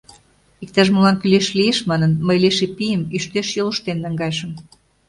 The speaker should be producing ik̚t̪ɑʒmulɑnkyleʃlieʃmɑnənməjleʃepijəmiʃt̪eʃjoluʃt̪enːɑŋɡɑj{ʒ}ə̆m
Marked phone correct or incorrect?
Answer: incorrect: ʃ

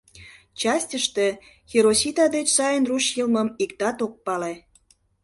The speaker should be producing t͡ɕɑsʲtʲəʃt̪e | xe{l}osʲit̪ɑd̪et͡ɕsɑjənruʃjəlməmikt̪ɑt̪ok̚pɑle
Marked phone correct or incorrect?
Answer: incorrect: ɾ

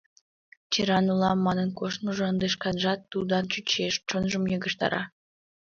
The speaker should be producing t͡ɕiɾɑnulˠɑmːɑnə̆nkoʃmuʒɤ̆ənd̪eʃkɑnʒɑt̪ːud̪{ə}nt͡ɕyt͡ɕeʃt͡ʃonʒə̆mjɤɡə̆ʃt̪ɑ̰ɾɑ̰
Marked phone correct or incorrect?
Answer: incorrect: ɑ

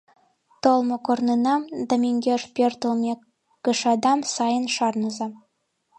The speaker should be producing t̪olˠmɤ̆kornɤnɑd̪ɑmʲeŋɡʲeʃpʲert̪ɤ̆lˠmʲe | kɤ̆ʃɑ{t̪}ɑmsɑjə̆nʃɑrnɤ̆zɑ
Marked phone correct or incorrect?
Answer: incorrect: d̪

